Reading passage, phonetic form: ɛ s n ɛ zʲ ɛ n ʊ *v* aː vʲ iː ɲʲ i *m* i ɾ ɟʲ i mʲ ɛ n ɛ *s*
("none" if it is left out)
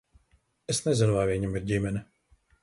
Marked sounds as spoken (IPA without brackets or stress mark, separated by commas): v, m, none